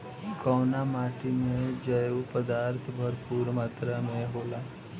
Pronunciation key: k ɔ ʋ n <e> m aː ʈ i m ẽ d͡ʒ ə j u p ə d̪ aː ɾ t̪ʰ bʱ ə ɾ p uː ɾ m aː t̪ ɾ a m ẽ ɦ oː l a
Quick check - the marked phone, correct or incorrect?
incorrect